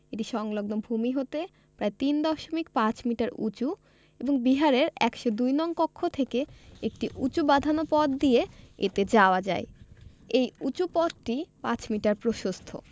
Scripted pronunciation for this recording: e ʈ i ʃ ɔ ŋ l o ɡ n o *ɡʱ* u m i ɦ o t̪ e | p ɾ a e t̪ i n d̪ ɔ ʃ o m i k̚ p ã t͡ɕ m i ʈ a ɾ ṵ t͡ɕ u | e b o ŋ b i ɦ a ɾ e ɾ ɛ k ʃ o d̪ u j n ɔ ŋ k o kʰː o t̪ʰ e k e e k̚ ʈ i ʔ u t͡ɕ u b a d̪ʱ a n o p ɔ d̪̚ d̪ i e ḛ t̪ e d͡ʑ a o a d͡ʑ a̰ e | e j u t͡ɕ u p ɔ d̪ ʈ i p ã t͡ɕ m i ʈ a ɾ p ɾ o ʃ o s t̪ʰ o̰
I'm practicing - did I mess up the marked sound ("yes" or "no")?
yes